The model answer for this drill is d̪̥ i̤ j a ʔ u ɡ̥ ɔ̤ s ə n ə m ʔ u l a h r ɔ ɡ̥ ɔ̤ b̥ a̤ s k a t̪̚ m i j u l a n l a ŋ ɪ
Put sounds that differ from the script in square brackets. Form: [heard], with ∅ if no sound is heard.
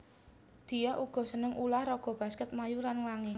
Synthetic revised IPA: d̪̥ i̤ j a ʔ u ɡ̥ ɔ̤ s ə n ə [ŋ] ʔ u l a h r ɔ ɡ̥ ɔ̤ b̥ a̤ s k [ə] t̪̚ m [a] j u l a n l a ŋ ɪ